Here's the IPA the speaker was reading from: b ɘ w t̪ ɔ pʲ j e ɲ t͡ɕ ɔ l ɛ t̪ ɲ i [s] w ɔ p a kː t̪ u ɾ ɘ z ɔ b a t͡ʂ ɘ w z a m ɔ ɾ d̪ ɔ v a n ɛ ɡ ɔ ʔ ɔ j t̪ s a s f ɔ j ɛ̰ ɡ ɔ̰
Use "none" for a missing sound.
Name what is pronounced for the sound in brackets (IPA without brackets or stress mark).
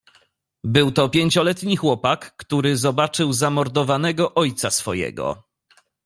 x